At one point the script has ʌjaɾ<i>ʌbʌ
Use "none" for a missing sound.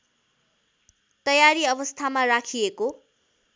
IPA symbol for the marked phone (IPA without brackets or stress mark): i